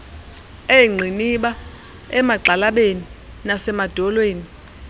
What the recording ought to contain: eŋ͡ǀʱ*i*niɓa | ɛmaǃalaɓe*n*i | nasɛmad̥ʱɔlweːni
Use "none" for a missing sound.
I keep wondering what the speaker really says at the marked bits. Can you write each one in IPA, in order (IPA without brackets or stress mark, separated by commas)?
i, n